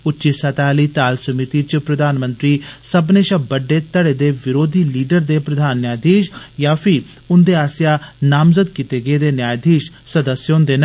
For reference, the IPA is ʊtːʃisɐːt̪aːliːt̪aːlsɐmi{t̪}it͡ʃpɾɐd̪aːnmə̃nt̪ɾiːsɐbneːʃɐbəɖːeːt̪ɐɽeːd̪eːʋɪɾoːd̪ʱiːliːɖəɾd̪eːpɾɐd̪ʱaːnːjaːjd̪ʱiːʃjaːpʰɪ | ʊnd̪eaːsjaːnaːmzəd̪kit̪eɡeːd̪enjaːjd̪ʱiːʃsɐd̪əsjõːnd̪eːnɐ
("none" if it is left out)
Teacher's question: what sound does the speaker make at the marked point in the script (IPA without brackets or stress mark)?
t̪